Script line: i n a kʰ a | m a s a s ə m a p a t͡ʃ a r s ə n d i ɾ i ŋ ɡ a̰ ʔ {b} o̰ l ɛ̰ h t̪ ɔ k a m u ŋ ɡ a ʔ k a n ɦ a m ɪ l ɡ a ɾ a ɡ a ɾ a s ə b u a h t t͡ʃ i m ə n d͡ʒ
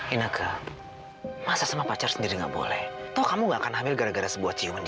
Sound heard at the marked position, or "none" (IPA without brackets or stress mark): b